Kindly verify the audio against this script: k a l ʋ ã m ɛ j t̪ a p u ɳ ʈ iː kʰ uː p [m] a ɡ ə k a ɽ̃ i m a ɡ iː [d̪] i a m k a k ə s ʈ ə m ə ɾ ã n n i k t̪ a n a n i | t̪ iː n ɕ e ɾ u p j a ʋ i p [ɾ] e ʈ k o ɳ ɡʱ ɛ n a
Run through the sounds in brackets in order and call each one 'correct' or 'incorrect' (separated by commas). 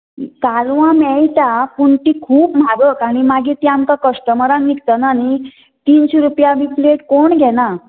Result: correct, incorrect, incorrect